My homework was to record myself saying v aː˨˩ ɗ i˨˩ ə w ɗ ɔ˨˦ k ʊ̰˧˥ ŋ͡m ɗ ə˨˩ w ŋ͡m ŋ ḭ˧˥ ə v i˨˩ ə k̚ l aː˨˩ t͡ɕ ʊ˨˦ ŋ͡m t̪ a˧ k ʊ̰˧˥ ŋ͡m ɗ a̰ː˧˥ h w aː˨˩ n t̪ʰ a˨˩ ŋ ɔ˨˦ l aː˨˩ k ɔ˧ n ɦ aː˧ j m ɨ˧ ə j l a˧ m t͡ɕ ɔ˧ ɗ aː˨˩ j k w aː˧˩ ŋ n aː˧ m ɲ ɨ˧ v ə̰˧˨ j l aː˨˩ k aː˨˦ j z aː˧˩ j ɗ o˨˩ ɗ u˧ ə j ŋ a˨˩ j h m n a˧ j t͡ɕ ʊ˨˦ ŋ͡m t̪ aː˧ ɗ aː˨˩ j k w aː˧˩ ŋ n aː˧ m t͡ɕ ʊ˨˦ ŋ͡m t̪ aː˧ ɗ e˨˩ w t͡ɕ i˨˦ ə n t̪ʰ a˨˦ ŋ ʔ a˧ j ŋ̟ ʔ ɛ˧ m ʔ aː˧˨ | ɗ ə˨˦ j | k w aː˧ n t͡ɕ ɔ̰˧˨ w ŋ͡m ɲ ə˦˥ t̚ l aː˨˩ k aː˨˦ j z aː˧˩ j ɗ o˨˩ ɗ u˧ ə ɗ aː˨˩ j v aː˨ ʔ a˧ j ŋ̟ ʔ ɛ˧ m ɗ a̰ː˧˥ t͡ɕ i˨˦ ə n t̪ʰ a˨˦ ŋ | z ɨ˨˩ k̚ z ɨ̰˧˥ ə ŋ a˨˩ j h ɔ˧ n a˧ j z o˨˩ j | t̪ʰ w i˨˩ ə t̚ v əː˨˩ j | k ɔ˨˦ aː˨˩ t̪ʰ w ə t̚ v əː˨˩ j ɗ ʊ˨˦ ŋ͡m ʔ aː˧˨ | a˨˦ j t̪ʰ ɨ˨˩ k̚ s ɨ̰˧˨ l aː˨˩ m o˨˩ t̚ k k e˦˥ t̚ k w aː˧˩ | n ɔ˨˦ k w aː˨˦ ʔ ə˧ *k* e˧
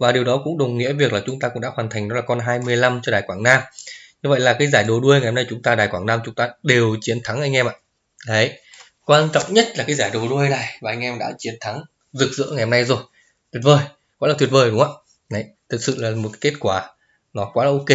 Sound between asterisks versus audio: correct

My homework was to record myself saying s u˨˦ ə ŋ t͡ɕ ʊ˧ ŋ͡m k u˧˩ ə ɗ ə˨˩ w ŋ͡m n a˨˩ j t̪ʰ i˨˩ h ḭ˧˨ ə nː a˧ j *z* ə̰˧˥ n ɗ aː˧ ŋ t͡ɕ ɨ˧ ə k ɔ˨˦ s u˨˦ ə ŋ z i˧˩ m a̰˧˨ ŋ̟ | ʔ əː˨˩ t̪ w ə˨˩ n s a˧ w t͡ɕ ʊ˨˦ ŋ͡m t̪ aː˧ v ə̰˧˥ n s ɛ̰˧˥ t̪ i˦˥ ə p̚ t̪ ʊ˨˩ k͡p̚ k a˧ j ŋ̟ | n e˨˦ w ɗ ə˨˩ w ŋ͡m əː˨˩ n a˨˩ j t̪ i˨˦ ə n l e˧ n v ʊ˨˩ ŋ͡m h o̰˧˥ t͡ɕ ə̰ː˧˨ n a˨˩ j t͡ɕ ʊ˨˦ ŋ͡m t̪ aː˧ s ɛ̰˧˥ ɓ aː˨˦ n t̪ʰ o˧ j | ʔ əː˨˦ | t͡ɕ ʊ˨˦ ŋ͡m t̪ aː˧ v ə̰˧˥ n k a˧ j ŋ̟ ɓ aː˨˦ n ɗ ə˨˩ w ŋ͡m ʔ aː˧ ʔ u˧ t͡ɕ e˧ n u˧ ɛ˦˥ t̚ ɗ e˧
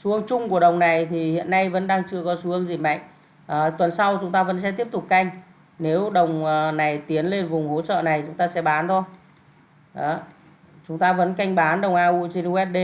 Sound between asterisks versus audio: incorrect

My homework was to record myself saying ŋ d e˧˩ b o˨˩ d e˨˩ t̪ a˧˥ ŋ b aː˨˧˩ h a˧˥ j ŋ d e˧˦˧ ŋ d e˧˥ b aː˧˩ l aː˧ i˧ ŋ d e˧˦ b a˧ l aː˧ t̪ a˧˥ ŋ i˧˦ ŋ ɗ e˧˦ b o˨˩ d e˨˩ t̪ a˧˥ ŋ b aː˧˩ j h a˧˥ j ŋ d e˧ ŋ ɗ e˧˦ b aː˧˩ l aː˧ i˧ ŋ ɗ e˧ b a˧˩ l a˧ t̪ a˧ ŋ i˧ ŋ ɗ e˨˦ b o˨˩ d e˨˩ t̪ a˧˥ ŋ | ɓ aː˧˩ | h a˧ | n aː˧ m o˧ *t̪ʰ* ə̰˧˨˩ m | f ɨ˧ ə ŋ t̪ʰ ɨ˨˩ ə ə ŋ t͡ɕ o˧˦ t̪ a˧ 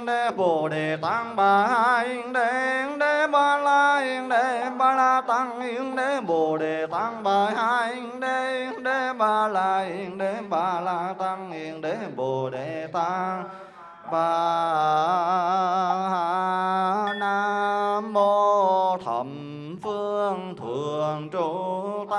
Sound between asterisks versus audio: correct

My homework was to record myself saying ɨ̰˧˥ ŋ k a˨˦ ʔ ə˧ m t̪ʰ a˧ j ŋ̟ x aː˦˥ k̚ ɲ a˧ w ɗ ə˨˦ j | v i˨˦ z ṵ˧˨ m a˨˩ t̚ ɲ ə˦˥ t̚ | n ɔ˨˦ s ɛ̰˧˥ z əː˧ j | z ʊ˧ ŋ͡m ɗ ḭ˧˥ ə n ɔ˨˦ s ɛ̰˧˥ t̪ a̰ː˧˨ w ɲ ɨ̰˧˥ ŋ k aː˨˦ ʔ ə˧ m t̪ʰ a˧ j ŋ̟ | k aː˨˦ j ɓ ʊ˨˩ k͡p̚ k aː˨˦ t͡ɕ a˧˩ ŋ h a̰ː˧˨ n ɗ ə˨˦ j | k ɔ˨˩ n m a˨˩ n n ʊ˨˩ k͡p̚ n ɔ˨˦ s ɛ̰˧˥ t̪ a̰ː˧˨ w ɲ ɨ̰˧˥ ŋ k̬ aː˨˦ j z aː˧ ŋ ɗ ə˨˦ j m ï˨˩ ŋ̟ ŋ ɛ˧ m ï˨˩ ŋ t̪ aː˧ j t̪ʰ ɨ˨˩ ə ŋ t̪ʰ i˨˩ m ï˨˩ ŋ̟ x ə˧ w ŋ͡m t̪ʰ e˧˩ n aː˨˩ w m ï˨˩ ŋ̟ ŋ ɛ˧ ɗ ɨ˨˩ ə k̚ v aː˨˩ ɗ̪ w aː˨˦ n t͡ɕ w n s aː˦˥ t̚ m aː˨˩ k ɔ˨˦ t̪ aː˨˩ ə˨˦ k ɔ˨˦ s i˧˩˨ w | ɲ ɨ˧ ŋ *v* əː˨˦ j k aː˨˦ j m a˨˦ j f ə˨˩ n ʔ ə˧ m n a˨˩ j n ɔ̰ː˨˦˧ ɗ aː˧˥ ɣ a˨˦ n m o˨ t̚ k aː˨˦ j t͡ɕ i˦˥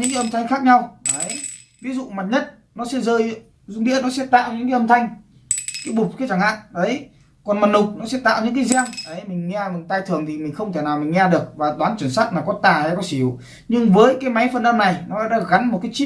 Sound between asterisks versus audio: correct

